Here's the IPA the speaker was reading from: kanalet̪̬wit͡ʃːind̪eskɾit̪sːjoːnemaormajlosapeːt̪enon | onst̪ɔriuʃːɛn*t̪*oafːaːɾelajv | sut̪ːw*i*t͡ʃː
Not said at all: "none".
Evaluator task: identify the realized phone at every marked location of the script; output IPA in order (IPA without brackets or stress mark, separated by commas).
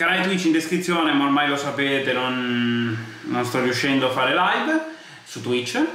d̪, i